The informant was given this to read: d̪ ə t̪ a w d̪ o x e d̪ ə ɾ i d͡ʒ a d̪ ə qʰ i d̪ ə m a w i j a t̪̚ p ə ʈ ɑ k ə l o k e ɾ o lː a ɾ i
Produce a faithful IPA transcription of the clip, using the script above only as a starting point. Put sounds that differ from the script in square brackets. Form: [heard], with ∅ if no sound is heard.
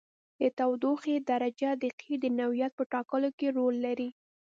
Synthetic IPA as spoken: d̪ ə t̪ a w d̪ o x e d̪ [a] ɾ [a] d͡ʒ a d̪ ə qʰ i d̪ ə [n] a w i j a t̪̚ p ə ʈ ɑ k ə l o k e ɾ o lː a ɾ i

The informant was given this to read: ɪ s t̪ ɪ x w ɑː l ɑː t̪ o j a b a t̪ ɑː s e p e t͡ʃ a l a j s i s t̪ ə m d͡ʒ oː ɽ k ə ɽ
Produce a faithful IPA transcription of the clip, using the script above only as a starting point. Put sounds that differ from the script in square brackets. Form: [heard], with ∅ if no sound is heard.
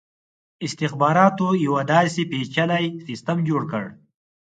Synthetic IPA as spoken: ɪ s t̪ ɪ x [b] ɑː [ɾ] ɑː t̪ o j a [w] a [d̪] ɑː s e p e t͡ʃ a l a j s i s t̪ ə m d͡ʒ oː ɽ k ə ɽ

